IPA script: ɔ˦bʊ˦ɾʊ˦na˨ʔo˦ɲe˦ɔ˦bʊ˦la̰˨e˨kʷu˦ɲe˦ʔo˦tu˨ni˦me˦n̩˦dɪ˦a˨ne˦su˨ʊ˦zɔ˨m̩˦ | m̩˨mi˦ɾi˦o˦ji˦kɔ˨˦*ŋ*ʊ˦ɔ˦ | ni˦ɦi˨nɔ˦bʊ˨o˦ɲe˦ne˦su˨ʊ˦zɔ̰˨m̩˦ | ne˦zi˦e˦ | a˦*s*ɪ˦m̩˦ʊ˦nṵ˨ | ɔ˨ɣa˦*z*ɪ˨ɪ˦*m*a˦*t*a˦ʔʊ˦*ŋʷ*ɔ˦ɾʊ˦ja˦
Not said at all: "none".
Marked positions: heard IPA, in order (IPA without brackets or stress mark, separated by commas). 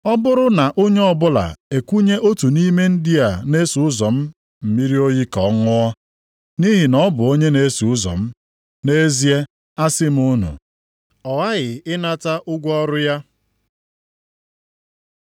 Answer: ŋ, s, ɣ, n, t, ɡʷ